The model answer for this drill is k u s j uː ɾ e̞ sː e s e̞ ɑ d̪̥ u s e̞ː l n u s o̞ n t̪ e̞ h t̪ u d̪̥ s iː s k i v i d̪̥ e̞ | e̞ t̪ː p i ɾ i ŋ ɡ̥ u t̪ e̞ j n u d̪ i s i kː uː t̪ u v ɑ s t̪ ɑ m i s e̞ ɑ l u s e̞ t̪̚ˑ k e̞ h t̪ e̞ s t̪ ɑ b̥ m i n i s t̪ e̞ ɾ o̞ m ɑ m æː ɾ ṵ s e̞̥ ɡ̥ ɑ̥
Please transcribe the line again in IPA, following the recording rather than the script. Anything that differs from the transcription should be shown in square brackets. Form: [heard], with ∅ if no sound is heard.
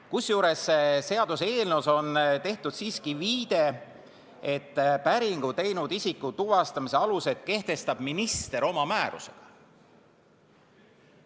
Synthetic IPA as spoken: k u s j uː ɾ e̞ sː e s e̞ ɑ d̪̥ u s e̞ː l n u s o̞ n t̪ e̞ h t̪ u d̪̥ s iː s k i v [iː] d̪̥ e̞ | e̞ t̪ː p [æ] ɾ i ŋ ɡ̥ u t̪ e̞ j n u d̪ i s i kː [u] t̪ u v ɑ s t̪ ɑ m i s e̞ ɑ l u s e̞ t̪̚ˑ k e̞ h t̪ e̞ s t̪ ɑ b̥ m i n i s t̪ e̞ ɾ o̞ m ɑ m æː ɾ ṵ s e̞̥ ɡ̥ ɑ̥